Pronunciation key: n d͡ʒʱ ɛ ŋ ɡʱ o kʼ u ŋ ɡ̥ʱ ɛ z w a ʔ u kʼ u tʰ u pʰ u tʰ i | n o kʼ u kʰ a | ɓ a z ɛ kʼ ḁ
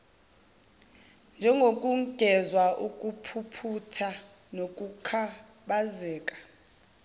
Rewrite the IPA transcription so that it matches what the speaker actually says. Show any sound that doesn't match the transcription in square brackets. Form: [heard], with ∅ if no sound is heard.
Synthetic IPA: n d͡ʒʱ ɛ ŋ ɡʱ o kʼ u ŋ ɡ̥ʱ ɛ z w a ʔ u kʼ u [pʰ] u pʰ u tʰ [a] | n o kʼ u kʰ a | ɓ a z [ɛː] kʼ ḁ